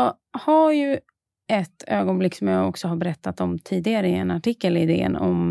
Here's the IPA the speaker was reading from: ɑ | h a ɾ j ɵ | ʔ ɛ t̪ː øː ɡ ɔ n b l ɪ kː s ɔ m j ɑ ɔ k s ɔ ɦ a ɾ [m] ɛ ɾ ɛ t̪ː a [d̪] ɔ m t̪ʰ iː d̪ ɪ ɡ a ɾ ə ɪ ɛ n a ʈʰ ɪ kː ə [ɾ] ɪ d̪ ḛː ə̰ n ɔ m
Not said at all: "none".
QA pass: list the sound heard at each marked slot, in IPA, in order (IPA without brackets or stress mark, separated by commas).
b, t̪, l